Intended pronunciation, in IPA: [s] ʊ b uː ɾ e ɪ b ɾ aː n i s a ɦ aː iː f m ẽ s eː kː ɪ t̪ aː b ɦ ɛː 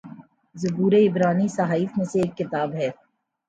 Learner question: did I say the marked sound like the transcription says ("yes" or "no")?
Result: no